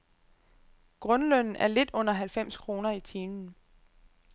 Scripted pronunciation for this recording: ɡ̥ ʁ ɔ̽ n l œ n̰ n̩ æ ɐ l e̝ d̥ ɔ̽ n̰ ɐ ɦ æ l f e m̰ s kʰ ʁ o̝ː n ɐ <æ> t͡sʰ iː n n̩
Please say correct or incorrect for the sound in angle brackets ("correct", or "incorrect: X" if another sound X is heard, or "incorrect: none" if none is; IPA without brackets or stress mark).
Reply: incorrect: i